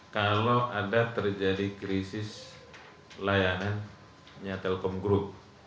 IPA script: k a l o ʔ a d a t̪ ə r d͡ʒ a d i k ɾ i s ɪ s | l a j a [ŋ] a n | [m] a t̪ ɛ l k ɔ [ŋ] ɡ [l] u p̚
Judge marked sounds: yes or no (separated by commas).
no, no, no, no